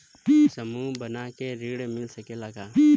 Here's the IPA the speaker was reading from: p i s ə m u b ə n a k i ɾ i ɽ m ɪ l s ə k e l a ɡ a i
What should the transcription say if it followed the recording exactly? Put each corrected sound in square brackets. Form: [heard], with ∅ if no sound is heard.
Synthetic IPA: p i s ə m u b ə n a k [e] ɾ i ɽ m ɪ l s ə k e l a ɡ a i